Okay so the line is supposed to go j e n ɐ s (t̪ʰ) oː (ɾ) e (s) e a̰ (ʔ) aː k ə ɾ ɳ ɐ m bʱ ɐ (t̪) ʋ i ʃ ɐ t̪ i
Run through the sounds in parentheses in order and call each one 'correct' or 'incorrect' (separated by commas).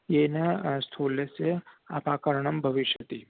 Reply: correct, incorrect, correct, incorrect, incorrect